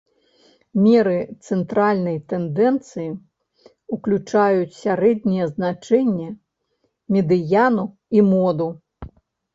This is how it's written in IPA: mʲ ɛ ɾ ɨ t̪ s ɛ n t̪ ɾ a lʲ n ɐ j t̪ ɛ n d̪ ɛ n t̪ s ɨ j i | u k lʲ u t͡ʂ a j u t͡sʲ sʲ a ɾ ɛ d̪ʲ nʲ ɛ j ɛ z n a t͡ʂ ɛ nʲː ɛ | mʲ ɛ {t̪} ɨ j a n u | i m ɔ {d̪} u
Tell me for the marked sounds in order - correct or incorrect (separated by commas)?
incorrect, correct